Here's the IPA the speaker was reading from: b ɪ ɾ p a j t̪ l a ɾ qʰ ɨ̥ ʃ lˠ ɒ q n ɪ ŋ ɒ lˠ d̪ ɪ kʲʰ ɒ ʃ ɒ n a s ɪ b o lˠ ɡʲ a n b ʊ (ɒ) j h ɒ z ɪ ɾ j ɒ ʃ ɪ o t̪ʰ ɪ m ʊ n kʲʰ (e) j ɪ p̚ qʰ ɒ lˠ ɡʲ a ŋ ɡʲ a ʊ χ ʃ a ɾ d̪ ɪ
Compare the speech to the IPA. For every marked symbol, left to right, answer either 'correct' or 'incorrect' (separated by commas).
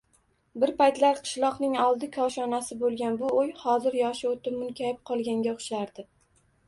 incorrect, incorrect